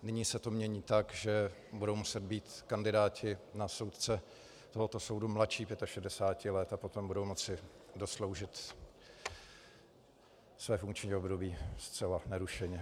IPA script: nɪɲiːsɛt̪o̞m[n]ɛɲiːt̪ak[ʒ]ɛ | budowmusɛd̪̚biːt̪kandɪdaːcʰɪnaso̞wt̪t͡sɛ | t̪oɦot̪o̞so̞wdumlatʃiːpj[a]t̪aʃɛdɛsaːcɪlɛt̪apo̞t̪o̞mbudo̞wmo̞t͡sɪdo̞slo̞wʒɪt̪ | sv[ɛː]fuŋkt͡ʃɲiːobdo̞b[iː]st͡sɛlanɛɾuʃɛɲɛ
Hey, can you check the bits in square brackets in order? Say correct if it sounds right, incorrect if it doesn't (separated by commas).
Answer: incorrect, correct, incorrect, correct, correct